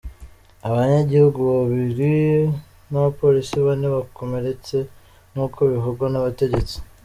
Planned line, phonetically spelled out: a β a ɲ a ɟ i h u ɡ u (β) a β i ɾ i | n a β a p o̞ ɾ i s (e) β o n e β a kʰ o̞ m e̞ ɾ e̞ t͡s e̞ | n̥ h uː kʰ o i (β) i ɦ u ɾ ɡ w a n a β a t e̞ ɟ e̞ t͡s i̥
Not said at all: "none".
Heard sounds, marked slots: β, i, β

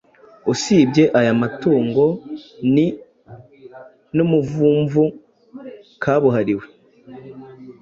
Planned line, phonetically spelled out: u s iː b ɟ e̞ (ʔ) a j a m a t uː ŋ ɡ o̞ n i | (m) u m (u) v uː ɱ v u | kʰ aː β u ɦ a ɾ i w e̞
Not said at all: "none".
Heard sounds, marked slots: ʔ, n, u

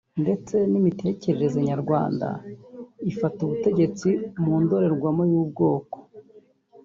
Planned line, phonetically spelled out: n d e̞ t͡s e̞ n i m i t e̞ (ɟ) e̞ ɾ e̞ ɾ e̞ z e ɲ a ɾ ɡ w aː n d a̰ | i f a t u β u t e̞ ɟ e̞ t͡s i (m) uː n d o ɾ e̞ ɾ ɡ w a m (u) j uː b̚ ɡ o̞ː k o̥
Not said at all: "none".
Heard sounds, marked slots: c, m, o

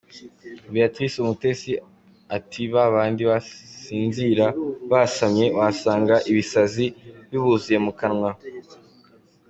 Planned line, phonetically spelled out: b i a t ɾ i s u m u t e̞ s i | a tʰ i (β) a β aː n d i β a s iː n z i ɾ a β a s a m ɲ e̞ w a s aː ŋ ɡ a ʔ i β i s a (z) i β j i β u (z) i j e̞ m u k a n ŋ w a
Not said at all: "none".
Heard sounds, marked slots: β, z, z

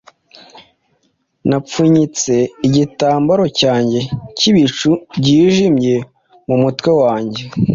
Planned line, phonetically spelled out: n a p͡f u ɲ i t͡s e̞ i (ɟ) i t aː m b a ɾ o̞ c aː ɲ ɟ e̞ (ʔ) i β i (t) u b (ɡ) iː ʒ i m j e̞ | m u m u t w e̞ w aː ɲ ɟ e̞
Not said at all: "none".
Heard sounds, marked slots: ɟ, c, t͡ʃ, ɟ

